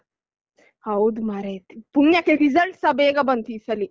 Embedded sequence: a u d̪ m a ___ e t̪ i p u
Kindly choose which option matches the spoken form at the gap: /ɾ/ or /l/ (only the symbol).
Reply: ɾ